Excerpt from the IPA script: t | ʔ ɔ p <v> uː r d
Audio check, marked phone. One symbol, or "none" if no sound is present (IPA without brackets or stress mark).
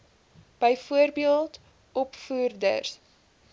f